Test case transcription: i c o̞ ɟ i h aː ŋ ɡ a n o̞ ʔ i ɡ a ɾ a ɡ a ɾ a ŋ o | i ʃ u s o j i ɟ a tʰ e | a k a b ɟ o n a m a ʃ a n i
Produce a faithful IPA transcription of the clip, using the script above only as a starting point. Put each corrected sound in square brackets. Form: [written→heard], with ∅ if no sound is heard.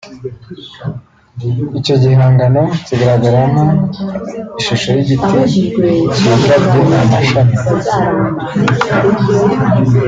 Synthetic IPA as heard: i c o̞ ɟ i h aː ŋ ɡ a n o̞ [ʔ→c] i ɡ a ɾ a ɡ a ɾ a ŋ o | i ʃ u [s→ʃ] o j i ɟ [a→i] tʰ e | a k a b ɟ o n a m a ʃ a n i

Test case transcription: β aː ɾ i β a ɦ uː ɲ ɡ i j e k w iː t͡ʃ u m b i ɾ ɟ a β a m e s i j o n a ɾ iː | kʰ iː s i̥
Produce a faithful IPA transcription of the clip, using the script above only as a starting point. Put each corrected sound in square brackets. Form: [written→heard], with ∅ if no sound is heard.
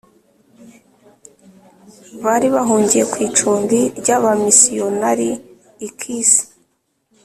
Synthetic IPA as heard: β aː ɾ i β a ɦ uː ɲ [ɡ→ɟ] i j e k w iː t͡ʃ [u→uː] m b i ɾ ɟ a β a m [e→i] s i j o n a ɾ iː | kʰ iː s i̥

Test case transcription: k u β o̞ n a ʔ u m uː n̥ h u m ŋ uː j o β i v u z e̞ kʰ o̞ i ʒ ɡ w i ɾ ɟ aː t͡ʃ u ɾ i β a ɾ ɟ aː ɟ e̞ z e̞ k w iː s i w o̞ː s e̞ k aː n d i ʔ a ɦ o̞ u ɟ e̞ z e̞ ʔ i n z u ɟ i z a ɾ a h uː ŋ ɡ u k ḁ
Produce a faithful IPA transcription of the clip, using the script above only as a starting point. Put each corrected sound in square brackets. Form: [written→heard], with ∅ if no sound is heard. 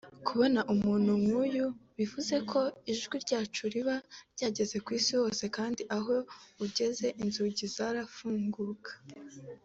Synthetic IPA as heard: k u β o̞ n a ʔ u m uː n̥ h u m ŋ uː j [o→u] β i v u z e̞ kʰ o̞ i ʒ ɡ w i ɾ ɟ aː t͡ʃ u ɾ i β a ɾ ɟ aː ɟ e̞ z e̞ k w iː s i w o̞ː s e̞ k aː n d i ʔ a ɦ o̞ u ɟ e̞ z e̞ ʔ i n z u ɟ i z a ɾ a [h→f] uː ŋ ɡ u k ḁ

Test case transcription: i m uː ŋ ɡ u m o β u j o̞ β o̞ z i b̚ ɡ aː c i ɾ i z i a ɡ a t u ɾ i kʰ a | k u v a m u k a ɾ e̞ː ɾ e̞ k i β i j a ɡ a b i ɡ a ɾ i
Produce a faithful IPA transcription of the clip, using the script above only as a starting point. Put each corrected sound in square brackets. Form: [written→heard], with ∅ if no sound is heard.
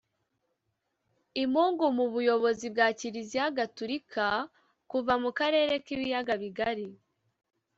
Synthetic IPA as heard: i m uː ŋ ɡ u m [o→u] β u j o̞ β o̞ z i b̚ ɡ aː c i ɾ i z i a ɡ a t u ɾ i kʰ a | k u v a m u k a ɾ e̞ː ɾ e̞ k i β i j a ɡ a [b→β] i ɡ a ɾ i

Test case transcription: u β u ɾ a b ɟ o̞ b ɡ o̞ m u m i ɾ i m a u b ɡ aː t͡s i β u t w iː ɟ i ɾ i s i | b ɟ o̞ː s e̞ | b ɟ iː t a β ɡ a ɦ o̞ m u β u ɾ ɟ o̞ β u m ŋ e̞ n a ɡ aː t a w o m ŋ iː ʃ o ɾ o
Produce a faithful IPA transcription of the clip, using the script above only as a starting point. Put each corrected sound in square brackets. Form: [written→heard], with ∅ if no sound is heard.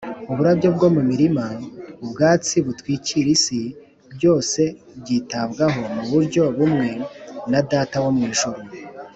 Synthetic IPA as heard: u β u ɾ a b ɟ o̞ b ɡ o̞ m u m i ɾ i m a u b ɡ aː t͡s i β u t w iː [ɟ→c] i ɾ i s i | b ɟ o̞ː s e̞ | b ɟ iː t a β ɡ a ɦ o̞ m u β u ɾ ɟ o̞ β u m ŋ e̞ n a [ɡ→d] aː t a w o m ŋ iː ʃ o ɾ o

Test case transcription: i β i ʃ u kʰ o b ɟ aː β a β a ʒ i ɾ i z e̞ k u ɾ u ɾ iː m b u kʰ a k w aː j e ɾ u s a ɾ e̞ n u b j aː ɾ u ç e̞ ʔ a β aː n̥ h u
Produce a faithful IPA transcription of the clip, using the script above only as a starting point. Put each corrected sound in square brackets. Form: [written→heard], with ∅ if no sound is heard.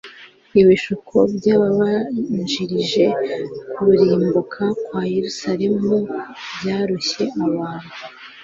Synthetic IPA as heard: i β i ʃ u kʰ o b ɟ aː β a β a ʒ i ɾ i [z→ʒ] e̞ k u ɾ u ɾ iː m b u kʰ a k w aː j e ɾ u s a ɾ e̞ [n→m] u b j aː ɾ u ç e̞ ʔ a β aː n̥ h u

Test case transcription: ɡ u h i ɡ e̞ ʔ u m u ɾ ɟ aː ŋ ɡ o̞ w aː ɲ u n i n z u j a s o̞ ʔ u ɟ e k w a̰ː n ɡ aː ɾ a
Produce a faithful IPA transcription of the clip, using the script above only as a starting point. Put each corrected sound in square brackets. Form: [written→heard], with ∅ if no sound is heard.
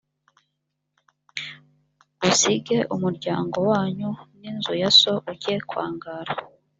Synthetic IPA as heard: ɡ u [h→s] i ɡ e̞ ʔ u m u ɾ ɟ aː ŋ ɡ o̞ w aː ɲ u n i n z u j a s o̞ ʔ u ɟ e k w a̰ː [n→ŋ] ɡ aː ɾ a

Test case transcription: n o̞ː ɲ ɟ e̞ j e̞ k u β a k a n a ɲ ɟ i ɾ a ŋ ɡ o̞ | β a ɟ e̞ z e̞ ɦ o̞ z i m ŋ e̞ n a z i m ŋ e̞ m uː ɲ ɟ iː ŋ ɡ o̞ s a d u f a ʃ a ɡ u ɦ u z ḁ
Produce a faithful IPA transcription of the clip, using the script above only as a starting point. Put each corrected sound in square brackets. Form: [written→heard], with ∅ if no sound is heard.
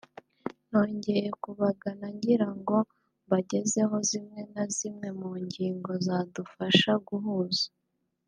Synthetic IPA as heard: n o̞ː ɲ ɟ e̞ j e̞ k u β a [k→ɡ] a n a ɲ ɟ i ɾ a ŋ ɡ o̞ | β a ɟ e̞ z e̞ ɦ o̞ z i m ŋ e̞ n a z i m ŋ e̞ m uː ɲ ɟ iː ŋ ɡ o̞ [s→z] a d u f a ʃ a ɡ u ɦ u z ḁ

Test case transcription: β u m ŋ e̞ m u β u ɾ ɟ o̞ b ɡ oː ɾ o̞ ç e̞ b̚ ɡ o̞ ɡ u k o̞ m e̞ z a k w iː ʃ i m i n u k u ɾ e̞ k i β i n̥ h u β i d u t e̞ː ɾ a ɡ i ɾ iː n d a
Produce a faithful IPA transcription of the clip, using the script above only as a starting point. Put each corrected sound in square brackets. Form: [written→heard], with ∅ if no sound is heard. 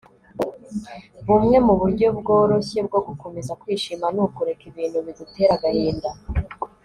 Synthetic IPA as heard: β u m ŋ e̞ m u β u ɾ ɟ o̞ b ɡ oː ɾ o̞ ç e̞ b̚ ɡ o̞ ɡ u k o̞ m e̞ z a k w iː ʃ i m [i→a] n u k u ɾ e̞ k i β [i→iː] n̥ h u β i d u t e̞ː ɾ a ɡ [i→a] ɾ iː n d a

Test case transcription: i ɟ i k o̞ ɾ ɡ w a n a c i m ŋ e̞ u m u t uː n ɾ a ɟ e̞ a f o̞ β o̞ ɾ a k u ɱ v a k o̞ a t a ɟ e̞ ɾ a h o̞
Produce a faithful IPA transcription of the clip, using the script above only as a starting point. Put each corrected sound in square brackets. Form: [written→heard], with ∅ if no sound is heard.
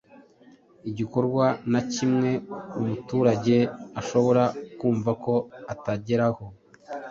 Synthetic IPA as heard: i ɟ i k o̞ ɾ ɡ w a n a c i m ŋ e̞ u m u t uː [n→∅] ɾ a ɟ e̞ a [f→ʃ] o̞ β o̞ ɾ a k [u→uː] ɱ v a k o̞ a t a ɟ e̞ ɾ a h o̞

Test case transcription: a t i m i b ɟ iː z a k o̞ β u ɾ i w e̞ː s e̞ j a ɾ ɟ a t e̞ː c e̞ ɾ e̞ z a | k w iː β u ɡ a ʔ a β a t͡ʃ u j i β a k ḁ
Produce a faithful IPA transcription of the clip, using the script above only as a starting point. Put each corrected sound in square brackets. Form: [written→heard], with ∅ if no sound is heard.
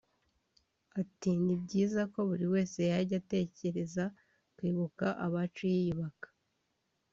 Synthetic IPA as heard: a t i [m→n] i b ɟ iː z a k o̞ β u ɾ i w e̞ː s e̞ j a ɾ ɟ a t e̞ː c e̞ ɾ e̞ z a | k w iː β u [ɡ→k] a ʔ a β a t͡ʃ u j i β a k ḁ

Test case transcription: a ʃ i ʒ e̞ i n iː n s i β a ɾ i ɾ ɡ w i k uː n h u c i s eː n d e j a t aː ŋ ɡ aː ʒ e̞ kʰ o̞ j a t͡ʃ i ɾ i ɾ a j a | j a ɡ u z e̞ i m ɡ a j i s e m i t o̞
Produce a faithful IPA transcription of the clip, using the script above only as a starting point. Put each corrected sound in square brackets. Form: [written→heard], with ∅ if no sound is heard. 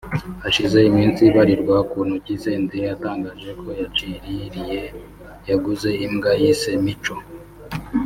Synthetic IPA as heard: a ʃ i [ʒ→z] e̞ i [n→m] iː n s i β a ɾ i ɾ ɡ w [i→a] k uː n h u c i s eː n d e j a t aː ŋ ɡ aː ʒ e̞ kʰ o̞ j a t͡ʃ i ɾ i ɾ [a→i] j [a→e] | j a ɡ u z e̞ i m ɡ a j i s e m i [t→t͡ʃ] o̞

